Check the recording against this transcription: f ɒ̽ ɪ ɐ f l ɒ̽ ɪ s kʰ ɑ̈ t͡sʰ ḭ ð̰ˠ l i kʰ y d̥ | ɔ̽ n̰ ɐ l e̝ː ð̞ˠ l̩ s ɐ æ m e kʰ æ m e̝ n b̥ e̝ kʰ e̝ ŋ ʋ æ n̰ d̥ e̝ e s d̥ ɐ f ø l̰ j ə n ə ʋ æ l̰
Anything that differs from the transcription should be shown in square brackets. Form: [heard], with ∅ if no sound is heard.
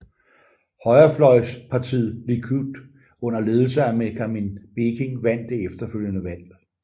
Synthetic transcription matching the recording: [h] ɒ̽ ɪ ɐ f l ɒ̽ ɪ s [pʰ] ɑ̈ t͡sʰ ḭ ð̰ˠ l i kʰ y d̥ | ɔ̽ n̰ ɐ l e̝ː ð̞ˠ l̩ s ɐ æ m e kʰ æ m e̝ n b̥ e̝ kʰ e̝ ŋ ʋ æ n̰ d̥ e̝ e [f] d̥ ɐ f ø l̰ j ə n ə ʋ æ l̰